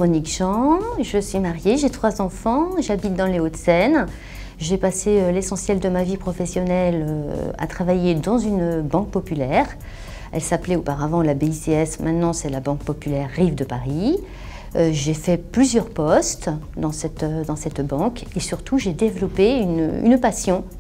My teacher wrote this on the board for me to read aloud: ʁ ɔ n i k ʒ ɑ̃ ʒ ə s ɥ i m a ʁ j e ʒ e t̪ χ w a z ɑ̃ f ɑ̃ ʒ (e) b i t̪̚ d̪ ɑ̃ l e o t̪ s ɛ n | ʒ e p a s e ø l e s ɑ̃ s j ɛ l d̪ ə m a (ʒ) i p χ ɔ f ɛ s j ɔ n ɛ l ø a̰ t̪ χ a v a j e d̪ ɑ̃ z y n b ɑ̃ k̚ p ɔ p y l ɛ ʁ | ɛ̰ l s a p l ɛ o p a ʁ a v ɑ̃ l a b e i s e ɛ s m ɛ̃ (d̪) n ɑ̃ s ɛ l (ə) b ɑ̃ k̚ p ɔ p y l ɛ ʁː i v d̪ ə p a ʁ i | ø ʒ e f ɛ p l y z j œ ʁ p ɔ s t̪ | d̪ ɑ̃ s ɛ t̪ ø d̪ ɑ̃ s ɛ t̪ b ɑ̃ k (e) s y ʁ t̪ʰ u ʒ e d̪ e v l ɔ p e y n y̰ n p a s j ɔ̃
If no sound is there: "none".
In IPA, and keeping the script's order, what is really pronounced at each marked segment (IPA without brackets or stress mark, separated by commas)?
a, v, t̪, a, e